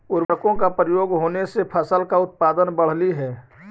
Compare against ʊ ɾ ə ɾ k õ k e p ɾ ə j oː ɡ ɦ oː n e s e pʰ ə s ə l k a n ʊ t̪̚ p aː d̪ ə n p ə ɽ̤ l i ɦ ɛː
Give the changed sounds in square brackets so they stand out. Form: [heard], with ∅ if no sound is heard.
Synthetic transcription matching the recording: ʊ ɾ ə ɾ k õ k [a] p ɾ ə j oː ɡ ɦ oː n e s e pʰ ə s ə l k a [∅] ʊ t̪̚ p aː d̪ ə n [b] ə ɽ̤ l i ɦ ɛː